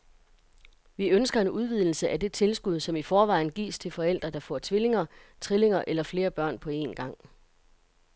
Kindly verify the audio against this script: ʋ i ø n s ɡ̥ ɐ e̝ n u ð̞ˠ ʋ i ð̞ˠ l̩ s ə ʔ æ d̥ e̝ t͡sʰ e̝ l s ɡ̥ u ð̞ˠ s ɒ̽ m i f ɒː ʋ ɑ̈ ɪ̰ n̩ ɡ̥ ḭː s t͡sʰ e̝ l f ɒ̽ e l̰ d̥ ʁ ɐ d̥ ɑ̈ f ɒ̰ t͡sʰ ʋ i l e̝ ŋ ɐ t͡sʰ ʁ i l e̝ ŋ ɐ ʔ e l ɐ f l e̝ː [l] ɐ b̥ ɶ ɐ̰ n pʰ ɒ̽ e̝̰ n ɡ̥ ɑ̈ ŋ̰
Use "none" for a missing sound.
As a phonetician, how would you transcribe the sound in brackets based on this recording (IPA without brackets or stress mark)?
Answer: none